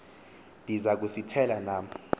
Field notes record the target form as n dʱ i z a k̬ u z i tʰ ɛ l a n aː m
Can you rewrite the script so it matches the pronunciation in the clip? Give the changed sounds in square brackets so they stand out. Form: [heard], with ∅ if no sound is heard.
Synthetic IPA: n dʱ i z a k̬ u [s] i tʰ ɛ l a n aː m